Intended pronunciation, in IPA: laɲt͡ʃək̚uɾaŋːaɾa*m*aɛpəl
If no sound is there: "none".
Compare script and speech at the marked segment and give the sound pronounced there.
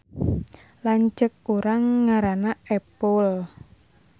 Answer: n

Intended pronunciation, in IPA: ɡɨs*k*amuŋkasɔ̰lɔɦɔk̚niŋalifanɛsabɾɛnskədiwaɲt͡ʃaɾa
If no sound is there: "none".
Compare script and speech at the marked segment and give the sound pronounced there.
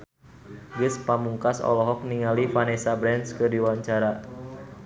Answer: p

